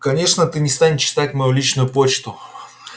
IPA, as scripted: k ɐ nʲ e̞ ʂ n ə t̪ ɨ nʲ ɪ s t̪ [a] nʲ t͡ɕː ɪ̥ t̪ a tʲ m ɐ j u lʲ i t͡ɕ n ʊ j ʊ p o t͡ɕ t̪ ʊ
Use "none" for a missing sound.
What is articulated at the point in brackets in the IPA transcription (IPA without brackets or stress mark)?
a